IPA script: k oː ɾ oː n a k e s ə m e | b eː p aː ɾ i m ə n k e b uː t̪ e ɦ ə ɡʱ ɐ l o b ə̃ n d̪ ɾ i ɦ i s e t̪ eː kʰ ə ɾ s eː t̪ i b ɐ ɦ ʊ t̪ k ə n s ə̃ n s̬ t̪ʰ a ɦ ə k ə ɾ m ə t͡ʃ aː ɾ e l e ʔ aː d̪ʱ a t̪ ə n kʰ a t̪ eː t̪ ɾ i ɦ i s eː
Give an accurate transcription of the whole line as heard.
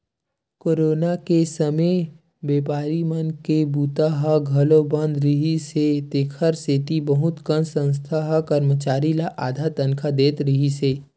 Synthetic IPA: k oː ɾ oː n a k e s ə m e | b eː p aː ɾ i m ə n k e b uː t̪ a ɦ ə ɡʱ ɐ l o b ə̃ n d̪ ɾ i ɦ i s e t̪ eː kʰ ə ɾ s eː t̪ i b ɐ ɦ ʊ t̪ k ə n s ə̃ n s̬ t̪ʰ a ɦ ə k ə ɾ m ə t͡ʃ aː ɾ i l a ʔ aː d̪ʱ a t̪ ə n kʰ a d̪ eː t̪ ɾ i ɦ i s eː

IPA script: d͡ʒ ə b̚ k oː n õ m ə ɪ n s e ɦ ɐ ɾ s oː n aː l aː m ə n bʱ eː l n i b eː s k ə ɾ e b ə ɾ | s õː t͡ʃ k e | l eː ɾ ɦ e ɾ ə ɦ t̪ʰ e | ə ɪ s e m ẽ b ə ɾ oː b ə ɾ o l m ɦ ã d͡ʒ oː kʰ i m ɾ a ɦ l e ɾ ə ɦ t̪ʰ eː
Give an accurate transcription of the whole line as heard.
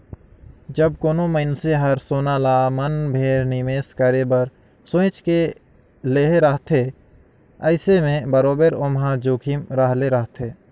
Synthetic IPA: d͡ʒ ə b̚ k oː n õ m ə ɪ n s e ɦ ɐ ɾ s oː n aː l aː m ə n bʱ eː ɾ n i m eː s k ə ɾ e b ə ɾ | s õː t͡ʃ k e | l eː ɦ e ɾ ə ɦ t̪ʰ e | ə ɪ s e m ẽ b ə ɾ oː b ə ɾ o m ɦ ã d͡ʒ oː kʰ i m ɾ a ɦ l e ɾ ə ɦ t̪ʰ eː

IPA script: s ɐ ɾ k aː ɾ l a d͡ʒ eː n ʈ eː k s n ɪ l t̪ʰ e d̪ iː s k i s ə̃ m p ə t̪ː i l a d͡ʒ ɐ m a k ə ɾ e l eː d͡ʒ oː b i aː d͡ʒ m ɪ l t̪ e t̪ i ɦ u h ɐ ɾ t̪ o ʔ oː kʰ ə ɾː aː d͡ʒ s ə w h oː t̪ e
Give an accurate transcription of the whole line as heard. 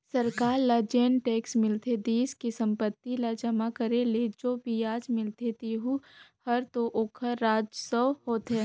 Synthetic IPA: s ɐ ɾ k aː ɾ l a d͡ʒ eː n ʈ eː k s m ɪ l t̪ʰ e d̪ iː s k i s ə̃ m p ə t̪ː i l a d͡ʒ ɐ m a k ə ɾ e l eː d͡ʒ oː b i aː d͡ʒ m ɪ l t̪ e t̪ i ɦ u h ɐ ɾ t̪ o ʔ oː kʰ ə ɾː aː d͡ʒ s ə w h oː t̪ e

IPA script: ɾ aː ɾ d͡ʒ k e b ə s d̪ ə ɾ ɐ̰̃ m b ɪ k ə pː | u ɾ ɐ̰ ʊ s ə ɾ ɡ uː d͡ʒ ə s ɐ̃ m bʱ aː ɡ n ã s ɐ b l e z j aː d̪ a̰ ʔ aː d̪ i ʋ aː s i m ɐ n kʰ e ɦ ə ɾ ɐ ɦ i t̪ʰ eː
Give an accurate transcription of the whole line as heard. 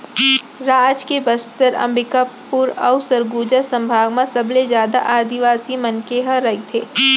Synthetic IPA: ɾ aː d͡ʒ k e b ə s t̪ ə ɾ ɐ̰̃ m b ɪ k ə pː | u ɾ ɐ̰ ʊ s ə ɾ ɡ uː d͡ʒ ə s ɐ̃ m bʱ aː ɡ m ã s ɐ b l e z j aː d̪ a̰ ʔ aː d̪ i ʋ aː s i m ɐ n k e ɦ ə ɾ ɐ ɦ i t̪ʰ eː

